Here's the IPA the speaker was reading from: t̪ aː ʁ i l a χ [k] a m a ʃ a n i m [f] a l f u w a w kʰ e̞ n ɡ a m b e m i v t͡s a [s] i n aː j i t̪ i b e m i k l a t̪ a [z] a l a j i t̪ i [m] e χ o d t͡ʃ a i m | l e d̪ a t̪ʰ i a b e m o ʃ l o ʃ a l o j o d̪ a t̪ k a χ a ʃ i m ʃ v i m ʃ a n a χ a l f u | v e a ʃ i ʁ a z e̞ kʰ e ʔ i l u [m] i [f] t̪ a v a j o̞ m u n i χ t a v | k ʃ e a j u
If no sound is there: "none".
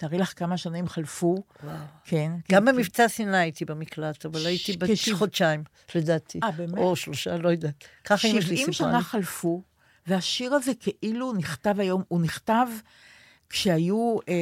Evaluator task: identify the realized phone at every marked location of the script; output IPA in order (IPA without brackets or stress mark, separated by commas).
k, χ, s, v, b, n, χ